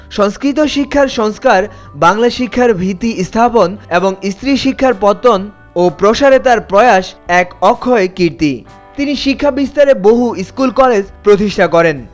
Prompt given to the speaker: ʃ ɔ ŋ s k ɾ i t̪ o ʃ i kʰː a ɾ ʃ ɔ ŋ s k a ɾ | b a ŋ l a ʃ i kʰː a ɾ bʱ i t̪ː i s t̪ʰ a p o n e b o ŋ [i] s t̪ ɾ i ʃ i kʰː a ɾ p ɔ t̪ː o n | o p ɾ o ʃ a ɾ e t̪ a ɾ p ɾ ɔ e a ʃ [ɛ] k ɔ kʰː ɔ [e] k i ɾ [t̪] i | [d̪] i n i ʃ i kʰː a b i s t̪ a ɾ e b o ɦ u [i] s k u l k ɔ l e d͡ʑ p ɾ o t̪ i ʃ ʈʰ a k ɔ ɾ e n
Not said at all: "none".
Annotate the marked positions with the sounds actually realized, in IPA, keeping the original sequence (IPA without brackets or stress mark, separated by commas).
i, ɛ, e, t̪, t̪, i